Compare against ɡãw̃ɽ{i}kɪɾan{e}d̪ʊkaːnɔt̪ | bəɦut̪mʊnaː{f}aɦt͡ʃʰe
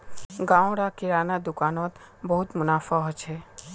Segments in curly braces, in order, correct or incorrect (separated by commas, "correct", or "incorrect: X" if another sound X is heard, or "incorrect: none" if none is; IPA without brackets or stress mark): incorrect: a, incorrect: a, correct